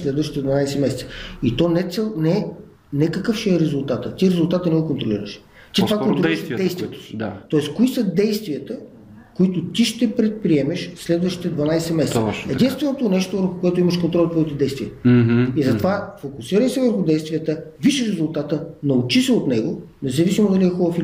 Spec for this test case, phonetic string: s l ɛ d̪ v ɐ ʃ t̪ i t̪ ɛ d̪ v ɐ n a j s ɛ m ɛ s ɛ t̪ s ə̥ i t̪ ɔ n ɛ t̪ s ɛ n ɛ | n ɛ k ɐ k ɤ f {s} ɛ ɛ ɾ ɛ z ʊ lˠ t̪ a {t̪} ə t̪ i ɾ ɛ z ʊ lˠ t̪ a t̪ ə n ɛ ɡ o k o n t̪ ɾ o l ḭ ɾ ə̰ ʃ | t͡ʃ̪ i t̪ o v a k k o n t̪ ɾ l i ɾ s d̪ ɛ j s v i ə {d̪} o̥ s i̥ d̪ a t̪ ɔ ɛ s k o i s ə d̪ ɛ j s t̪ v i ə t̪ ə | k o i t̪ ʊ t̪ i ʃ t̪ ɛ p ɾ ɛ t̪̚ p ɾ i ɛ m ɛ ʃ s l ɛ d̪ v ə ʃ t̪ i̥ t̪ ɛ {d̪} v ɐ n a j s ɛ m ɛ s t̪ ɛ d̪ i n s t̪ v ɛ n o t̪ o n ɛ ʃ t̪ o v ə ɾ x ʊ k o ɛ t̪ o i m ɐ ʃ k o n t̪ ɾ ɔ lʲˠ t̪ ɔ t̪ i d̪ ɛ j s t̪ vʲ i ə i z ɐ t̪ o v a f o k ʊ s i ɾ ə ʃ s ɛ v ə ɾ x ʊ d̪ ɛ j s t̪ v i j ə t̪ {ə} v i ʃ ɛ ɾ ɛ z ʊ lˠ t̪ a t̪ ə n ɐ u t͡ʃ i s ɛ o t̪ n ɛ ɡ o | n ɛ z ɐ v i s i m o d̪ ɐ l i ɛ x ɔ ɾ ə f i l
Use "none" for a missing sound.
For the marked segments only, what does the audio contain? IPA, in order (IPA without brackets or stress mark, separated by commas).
ʃ, t̪, t̪, d̪, ə